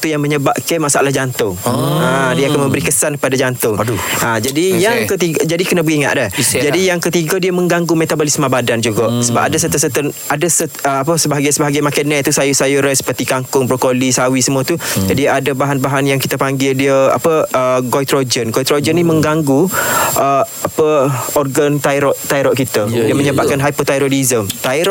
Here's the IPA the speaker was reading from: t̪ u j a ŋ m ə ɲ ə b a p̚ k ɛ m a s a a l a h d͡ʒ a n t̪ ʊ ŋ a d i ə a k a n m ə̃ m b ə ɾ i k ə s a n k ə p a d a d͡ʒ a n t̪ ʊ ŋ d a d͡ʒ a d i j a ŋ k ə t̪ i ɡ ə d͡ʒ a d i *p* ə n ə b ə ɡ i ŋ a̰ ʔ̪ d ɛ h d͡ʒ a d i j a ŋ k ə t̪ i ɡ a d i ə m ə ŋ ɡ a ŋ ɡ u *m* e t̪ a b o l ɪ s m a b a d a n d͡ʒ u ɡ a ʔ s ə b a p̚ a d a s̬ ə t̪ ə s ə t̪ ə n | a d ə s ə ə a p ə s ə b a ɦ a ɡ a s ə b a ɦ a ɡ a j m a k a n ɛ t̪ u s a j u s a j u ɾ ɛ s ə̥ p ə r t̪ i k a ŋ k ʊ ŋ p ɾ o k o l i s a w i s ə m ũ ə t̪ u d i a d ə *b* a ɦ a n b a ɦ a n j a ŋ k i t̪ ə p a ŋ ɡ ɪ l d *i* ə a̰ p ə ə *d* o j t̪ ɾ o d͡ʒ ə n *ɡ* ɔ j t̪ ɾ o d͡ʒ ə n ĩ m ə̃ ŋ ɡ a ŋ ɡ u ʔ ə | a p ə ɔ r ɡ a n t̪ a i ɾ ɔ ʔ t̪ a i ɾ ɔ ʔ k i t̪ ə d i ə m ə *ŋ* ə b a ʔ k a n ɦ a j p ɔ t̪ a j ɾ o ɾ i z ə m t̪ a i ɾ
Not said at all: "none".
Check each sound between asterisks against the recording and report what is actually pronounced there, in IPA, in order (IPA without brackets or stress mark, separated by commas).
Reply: k, m, b, i, ɡ, ɡ, ɲ